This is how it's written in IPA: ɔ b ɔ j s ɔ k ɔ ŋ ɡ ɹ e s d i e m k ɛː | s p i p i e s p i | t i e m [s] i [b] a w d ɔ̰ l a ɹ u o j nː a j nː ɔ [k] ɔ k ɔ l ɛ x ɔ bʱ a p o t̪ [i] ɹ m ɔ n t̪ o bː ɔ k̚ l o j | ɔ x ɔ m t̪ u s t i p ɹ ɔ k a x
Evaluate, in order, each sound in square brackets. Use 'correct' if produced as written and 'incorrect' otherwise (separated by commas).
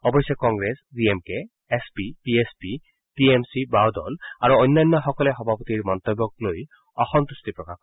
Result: correct, correct, incorrect, correct